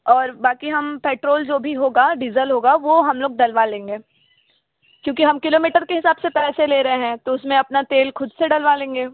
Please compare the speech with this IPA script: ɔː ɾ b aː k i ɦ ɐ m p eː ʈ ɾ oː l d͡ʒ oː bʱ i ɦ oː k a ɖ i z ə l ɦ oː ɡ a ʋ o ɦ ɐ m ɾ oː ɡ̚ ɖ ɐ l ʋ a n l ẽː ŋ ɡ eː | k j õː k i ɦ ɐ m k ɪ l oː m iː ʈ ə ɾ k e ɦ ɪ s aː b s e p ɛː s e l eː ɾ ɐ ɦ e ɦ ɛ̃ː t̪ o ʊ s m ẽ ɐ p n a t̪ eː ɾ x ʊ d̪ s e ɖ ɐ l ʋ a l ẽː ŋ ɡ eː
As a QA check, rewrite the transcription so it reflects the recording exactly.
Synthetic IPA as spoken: ɔː ɾ b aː k i ɦ ɐ m p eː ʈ ɾ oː l d͡ʒ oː bʱ i ɦ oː ɡ a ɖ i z ə l ɦ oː ɡ a ʋ o ɦ ɐ m l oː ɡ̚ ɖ ɐ l ʋ a l ẽː ŋ ɡ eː | k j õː k i ɦ ɐ m k ɪ l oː m iː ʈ ə ɾ k e ɦ ɪ s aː b s e p ɛː s e l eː ɾ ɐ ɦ e ɦ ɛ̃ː t̪ o ʊ s m ẽ ɐ p n a t̪ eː l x ʊ d̪ s e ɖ ɐ l ʋ a l ẽː ŋ ɡ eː